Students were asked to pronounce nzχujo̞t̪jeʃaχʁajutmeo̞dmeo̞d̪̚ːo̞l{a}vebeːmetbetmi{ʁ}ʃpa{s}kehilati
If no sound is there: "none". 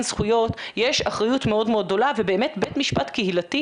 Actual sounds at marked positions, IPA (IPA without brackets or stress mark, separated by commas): a, none, t